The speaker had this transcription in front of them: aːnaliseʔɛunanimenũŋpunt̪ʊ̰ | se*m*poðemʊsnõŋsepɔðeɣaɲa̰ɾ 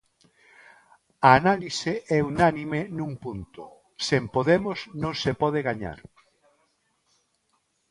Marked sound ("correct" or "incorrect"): correct